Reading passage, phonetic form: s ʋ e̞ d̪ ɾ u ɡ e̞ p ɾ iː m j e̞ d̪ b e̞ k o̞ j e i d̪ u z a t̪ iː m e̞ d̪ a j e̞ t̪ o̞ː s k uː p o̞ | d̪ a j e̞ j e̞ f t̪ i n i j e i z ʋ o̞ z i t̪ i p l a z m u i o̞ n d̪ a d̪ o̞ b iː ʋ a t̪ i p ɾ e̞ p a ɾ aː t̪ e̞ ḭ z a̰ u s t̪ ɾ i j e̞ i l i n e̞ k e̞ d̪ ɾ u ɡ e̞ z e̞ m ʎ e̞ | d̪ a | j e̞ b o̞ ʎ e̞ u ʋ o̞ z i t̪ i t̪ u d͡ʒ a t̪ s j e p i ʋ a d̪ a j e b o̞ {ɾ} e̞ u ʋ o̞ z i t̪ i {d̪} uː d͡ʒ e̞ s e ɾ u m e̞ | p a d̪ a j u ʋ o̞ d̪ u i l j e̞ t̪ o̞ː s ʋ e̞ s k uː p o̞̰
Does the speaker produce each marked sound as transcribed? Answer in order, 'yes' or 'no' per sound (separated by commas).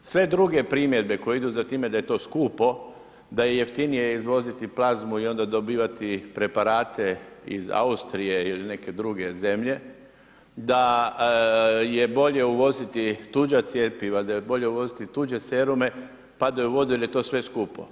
no, no